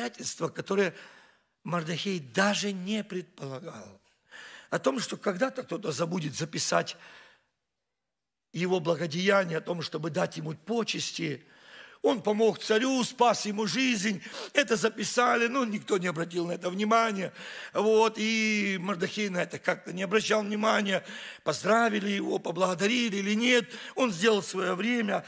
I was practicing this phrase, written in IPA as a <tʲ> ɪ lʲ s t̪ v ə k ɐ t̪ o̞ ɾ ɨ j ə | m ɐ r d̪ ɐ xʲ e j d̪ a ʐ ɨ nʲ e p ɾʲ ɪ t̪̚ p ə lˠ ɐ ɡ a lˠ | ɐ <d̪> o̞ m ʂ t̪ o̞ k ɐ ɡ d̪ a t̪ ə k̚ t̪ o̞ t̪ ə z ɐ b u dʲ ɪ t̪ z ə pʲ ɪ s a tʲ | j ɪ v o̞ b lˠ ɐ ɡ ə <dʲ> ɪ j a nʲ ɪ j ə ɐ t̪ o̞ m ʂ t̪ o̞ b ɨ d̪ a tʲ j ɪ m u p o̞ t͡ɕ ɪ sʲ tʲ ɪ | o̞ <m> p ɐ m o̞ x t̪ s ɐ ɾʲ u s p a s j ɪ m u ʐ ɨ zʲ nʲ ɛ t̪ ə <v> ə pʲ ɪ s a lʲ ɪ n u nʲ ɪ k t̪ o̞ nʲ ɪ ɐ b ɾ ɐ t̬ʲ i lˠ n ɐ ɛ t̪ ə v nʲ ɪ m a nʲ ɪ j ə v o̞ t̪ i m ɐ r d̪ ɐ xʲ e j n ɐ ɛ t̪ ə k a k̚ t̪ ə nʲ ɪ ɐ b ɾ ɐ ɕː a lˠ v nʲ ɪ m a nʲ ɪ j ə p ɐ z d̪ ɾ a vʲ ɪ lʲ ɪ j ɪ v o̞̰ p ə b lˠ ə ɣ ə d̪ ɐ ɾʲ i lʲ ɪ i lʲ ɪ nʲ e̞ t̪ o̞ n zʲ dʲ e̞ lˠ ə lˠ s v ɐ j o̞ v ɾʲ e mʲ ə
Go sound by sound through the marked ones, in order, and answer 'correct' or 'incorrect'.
correct, incorrect: t̪, correct, incorrect: n, incorrect: z

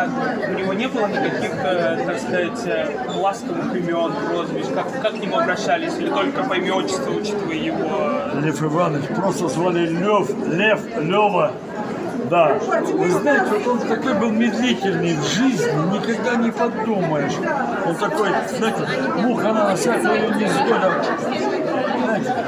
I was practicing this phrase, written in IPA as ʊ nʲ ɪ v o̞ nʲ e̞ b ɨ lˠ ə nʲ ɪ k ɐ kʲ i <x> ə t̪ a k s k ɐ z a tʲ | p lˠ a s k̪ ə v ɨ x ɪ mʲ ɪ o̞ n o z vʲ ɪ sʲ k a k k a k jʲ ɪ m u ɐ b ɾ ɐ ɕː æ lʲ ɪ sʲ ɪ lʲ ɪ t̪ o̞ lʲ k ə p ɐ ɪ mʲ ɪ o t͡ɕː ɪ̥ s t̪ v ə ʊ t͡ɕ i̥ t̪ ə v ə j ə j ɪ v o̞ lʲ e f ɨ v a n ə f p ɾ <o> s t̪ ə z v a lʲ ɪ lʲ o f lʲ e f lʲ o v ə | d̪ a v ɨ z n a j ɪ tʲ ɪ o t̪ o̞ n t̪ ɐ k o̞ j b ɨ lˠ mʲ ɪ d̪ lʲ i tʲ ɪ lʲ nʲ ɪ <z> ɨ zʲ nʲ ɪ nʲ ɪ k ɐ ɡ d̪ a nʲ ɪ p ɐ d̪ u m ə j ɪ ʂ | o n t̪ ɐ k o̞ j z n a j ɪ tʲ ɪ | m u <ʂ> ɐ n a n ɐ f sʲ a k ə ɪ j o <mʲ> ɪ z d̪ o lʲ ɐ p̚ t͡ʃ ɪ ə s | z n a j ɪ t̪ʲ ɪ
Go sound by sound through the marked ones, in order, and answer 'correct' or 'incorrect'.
correct, correct, incorrect: ʐ, incorrect: x, incorrect: nʲ

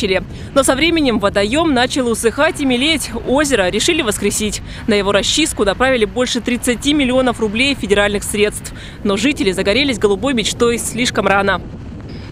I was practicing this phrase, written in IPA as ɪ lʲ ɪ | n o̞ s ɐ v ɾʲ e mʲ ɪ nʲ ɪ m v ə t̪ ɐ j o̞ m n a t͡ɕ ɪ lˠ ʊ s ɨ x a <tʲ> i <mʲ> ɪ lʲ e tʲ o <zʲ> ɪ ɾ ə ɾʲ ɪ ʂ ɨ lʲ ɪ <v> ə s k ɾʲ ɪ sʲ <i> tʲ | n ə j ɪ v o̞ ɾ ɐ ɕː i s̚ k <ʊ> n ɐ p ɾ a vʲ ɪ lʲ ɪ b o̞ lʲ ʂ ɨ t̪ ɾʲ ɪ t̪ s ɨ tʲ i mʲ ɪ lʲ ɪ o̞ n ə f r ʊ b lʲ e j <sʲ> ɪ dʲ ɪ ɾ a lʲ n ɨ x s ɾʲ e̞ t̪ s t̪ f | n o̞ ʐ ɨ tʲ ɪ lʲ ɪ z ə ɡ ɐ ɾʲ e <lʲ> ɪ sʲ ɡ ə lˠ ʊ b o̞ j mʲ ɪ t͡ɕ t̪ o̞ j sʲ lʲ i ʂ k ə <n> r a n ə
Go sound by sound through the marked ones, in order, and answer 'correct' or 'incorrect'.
correct, correct, correct, correct, correct, correct, incorrect: fʲ, correct, incorrect: m

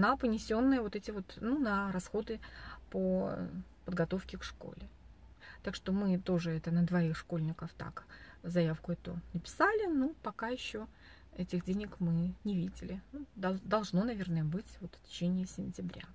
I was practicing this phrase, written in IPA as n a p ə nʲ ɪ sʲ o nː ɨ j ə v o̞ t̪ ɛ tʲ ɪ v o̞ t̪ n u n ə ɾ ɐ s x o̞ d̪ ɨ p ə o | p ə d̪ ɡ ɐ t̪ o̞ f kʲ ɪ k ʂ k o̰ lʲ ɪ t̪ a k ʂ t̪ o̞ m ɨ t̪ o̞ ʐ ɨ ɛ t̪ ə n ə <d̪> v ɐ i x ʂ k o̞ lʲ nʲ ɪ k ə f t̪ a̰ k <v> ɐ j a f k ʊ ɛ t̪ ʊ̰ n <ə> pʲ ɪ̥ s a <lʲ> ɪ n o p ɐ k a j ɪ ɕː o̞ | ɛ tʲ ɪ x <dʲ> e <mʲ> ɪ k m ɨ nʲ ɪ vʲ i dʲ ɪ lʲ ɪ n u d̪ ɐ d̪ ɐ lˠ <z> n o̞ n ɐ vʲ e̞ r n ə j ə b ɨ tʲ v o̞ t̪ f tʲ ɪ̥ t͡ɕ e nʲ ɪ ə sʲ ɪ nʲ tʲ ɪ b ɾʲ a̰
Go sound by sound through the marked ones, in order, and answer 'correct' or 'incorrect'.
correct, incorrect: z, correct, correct, correct, incorrect: nʲ, incorrect: ʐ

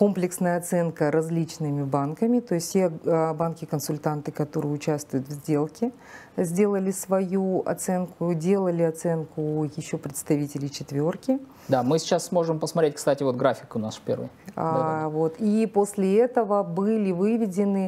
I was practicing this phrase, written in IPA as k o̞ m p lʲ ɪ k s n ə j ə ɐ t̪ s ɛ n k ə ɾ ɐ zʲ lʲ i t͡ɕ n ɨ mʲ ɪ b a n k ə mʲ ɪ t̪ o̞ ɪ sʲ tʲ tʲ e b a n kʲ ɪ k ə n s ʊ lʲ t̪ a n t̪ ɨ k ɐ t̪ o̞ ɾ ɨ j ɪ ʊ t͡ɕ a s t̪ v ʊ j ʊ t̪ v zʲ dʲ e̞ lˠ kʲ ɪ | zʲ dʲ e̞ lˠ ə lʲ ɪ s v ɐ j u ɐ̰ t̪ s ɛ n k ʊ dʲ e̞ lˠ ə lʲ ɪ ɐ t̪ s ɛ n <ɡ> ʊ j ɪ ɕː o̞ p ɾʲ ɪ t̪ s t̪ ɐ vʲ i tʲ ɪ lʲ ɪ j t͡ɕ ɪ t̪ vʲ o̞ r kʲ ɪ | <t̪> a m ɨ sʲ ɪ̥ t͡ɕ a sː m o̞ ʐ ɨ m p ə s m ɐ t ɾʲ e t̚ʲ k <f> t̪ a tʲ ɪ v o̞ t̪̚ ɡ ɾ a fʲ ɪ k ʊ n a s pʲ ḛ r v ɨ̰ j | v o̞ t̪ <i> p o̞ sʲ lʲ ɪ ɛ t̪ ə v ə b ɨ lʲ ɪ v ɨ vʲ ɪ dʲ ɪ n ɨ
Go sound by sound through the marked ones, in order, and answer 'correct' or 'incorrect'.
incorrect: k, incorrect: d̪, incorrect: s, correct

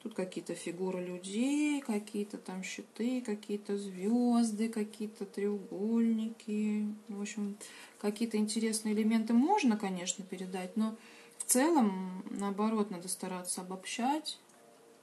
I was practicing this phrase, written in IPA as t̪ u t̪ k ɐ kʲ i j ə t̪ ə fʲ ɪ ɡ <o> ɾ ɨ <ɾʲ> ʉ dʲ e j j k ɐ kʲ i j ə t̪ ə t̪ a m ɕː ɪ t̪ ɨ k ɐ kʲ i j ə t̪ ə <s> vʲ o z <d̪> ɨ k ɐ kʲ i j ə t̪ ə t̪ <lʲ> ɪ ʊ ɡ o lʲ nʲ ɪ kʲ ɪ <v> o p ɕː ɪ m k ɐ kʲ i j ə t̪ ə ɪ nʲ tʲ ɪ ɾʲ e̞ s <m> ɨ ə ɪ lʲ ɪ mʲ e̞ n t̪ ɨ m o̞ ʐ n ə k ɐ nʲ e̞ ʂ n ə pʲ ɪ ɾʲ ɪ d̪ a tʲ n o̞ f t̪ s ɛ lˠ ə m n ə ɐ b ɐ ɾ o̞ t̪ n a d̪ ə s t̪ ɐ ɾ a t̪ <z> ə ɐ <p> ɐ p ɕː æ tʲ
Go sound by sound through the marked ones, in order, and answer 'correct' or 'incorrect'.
incorrect: u, incorrect: lʲ, incorrect: z, correct, incorrect: ɾʲ, correct, incorrect: n, incorrect: s, incorrect: b

